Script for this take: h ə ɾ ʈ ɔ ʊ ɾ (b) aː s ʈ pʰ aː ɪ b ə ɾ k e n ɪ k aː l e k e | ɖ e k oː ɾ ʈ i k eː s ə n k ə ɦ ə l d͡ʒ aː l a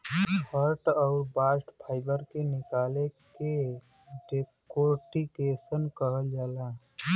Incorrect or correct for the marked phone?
correct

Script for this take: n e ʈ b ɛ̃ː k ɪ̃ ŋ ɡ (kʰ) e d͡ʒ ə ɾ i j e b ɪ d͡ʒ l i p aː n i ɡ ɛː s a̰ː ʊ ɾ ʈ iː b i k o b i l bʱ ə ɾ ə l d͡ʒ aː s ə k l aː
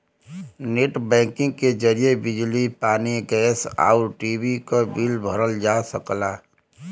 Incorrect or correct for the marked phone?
incorrect: k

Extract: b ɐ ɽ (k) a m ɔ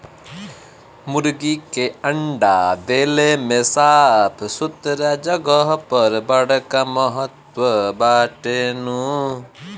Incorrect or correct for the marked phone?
correct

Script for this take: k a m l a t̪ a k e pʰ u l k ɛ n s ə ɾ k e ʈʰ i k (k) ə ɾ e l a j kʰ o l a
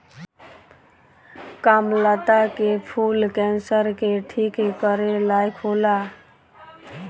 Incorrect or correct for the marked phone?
correct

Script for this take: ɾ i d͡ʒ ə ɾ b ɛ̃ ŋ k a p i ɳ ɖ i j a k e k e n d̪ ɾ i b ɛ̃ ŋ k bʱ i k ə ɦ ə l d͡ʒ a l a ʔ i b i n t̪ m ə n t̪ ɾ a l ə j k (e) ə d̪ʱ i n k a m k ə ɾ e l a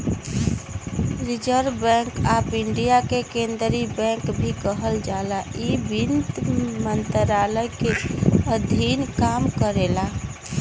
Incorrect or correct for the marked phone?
correct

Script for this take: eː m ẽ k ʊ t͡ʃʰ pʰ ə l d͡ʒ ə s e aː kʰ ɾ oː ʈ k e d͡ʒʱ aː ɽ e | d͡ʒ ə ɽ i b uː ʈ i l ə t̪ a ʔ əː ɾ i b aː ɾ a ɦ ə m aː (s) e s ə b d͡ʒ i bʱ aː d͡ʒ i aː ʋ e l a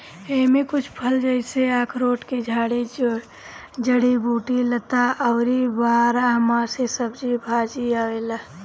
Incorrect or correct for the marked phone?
correct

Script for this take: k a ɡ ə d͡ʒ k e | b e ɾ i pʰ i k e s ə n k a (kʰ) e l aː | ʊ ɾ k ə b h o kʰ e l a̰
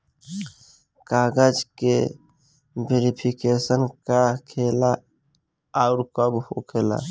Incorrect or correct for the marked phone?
correct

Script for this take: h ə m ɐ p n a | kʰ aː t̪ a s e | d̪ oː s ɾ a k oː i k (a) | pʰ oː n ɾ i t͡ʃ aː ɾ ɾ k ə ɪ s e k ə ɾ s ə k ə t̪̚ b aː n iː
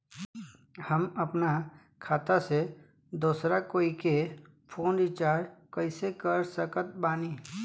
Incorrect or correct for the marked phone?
incorrect: e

